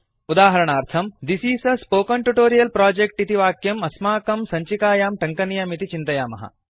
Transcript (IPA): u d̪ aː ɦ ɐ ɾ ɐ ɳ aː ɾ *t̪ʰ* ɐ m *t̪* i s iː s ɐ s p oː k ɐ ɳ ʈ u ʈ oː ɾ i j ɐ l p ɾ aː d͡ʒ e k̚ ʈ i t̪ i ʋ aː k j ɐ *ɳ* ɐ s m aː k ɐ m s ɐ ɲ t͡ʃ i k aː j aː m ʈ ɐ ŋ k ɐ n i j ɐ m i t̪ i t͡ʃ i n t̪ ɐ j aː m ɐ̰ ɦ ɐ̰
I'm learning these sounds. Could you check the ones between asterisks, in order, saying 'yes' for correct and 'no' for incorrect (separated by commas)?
yes, no, no